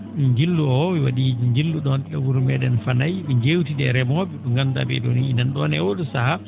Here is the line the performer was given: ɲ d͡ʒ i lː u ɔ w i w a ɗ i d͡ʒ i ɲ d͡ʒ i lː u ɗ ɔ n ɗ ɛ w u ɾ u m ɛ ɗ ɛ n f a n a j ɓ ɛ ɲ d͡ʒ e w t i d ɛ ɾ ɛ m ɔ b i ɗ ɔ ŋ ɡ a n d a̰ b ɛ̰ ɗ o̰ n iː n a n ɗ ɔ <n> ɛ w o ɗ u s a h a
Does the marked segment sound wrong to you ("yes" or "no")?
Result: no